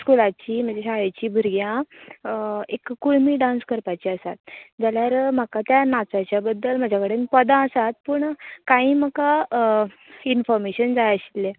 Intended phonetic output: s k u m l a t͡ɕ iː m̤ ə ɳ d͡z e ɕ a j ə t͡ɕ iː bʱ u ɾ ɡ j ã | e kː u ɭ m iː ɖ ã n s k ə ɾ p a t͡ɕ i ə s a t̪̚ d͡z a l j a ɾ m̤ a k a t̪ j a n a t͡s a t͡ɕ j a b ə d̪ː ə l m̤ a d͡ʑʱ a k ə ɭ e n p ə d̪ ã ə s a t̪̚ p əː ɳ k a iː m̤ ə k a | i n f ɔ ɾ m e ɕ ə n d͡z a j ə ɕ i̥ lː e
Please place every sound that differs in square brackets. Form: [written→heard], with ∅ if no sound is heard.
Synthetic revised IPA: s k u [m→∅] l a t͡ɕ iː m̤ ə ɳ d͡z e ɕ a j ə t͡ɕ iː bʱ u ɾ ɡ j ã | e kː u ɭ m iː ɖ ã n s k ə ɾ p a t͡ɕ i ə s a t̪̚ d͡z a l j a ɾ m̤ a k a t̪ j a n a t͡s a t͡ɕ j a b ə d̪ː ə l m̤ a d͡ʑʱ a k ə [ɭ→ɽ] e n p ə d̪ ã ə s a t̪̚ p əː ɳ k a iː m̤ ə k a | i n f ɔ ɾ m e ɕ ə n d͡z a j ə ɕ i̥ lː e